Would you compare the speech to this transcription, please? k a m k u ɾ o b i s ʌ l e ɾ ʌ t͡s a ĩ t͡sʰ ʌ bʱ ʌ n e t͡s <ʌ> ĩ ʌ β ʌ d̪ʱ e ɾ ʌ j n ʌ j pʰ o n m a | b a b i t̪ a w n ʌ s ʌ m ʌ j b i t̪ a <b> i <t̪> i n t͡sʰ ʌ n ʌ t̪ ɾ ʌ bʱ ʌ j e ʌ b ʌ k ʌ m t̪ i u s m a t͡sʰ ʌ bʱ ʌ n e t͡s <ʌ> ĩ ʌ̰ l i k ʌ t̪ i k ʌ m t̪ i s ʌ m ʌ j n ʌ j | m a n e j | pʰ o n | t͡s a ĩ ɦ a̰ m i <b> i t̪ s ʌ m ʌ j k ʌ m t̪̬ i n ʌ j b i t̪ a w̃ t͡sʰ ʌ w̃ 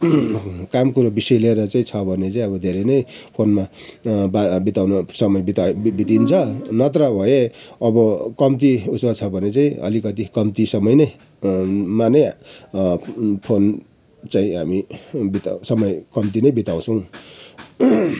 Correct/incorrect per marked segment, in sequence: incorrect: a, correct, correct, incorrect: a, correct

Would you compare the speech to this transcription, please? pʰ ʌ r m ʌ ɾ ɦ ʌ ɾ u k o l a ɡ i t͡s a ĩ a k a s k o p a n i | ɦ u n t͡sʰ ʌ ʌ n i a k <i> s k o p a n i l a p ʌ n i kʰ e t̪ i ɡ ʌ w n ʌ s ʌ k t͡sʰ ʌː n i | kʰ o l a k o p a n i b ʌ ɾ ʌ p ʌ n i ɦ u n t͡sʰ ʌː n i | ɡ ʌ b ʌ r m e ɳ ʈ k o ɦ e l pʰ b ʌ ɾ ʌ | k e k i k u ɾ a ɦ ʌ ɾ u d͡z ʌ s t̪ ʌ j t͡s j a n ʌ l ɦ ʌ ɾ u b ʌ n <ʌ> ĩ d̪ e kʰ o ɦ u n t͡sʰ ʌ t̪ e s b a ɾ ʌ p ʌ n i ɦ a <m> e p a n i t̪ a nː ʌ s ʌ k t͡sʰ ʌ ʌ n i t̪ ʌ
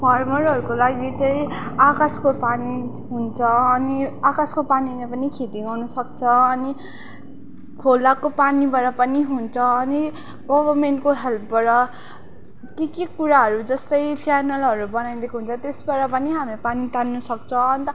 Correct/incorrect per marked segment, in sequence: incorrect: a, incorrect: a, correct

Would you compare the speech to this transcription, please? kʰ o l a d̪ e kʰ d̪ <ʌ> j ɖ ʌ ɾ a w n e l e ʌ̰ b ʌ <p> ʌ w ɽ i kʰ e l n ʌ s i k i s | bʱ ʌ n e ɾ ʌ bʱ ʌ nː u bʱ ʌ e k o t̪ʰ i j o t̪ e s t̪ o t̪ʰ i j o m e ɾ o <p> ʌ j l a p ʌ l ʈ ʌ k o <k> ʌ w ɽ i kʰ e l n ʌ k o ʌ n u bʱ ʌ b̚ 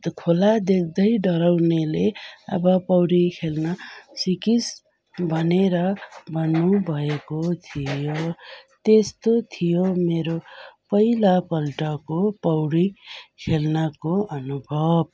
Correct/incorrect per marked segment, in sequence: correct, correct, correct, incorrect: p

